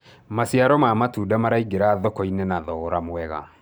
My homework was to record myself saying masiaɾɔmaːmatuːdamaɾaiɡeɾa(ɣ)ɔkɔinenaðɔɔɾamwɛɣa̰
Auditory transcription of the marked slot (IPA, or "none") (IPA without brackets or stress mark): ð